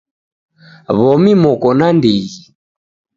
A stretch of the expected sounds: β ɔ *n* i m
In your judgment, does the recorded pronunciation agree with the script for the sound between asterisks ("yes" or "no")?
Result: no